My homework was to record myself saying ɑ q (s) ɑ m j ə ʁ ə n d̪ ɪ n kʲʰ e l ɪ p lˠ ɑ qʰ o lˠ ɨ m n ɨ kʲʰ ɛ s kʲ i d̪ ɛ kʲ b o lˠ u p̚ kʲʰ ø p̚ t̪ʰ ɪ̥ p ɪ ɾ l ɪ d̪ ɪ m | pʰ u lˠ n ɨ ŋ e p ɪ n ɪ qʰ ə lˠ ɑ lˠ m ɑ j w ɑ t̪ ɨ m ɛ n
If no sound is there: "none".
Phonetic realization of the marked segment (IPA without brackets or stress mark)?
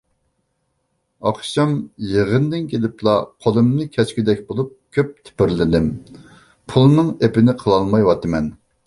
ʃ